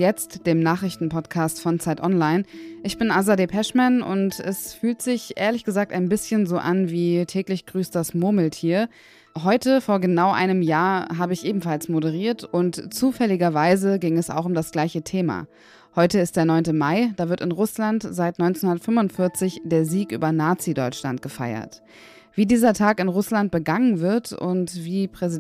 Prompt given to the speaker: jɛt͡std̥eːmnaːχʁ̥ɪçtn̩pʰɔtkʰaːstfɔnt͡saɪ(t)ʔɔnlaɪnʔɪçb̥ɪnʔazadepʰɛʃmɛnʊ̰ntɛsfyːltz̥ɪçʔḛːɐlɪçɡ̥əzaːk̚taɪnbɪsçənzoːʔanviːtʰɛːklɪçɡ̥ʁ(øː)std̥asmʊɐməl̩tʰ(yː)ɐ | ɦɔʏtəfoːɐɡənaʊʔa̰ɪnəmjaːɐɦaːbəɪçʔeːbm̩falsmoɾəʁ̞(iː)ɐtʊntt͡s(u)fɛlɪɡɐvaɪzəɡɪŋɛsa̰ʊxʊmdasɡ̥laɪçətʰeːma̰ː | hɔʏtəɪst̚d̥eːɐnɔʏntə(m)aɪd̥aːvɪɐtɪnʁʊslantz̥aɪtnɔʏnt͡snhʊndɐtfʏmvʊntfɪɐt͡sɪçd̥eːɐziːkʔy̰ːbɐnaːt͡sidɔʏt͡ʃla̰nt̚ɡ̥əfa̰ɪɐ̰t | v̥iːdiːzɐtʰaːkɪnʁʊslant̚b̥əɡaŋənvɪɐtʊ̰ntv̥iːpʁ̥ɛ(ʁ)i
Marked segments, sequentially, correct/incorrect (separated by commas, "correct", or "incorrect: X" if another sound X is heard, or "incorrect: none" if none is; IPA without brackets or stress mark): correct, incorrect: yː, incorrect: iː, correct, incorrect: uː, correct, incorrect: z